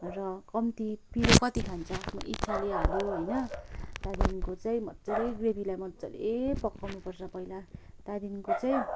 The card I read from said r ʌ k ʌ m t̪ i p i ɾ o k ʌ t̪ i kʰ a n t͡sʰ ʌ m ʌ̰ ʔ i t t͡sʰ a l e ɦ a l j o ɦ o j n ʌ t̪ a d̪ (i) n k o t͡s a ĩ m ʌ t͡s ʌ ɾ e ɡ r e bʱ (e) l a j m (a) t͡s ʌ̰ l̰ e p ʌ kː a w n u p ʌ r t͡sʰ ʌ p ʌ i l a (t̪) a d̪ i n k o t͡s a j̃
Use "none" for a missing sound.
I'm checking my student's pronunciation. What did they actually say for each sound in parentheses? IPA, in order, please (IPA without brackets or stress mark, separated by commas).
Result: i, i, ʌ, t̪